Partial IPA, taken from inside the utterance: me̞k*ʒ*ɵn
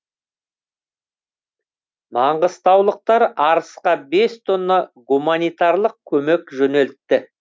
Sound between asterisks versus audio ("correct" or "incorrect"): correct